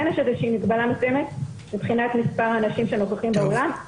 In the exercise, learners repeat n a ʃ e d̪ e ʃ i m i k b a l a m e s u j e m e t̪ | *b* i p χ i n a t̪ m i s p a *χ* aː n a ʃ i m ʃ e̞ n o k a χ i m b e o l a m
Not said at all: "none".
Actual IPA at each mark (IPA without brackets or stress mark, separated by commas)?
m, ʁ